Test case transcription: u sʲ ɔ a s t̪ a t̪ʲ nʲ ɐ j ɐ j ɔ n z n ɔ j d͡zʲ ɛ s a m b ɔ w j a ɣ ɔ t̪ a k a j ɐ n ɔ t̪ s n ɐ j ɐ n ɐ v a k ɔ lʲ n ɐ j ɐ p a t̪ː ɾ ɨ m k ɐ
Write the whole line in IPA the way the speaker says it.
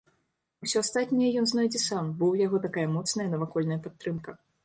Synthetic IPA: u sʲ ɔ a s t̪ a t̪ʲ nʲ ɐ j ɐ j ɔ n z n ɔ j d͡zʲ ɛ s a m b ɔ w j a ɣ ɔ t̪ a k a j ɐ m ɔ t̪ s n ɐ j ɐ n ɐ v a k ɔ lʲ n ɐ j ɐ p a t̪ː ɾ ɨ m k ɐ